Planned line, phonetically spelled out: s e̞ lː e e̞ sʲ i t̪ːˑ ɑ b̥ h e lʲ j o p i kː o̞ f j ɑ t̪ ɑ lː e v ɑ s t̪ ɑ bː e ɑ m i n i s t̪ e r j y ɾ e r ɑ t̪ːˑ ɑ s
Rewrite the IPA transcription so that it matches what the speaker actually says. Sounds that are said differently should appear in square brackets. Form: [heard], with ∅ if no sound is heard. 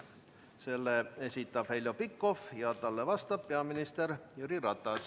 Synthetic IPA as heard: s e̞ lː e e̞ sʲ i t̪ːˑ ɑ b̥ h e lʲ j o p i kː o̞ f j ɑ t̪ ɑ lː e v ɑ s t̪ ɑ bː e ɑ m i n i s t̪ e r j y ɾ [i] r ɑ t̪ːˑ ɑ s